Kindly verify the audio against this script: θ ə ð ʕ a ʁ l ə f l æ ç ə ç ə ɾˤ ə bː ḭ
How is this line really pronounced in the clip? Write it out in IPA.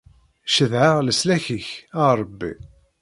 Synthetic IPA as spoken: ʃ ə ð ʕ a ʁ l ə s l æ ç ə ç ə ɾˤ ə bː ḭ